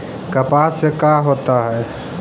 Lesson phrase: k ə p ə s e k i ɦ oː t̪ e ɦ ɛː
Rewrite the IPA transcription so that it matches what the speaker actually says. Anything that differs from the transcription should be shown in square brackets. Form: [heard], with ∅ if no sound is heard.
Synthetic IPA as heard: k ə p [a] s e k [a] ɦ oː t̪ [a] ɦ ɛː